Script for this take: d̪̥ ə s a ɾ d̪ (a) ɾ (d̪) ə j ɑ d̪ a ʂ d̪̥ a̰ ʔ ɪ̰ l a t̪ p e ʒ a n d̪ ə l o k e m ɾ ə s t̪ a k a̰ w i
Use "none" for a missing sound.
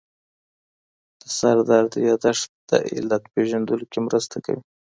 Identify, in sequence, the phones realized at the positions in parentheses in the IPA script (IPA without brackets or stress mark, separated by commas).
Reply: ɑ, d̪